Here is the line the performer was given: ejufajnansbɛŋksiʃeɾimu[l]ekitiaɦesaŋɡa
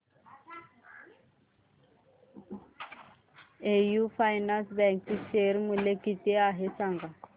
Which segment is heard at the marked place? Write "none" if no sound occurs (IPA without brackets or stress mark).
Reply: l